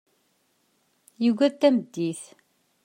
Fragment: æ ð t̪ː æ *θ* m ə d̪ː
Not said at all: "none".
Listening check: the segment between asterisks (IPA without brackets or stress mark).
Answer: none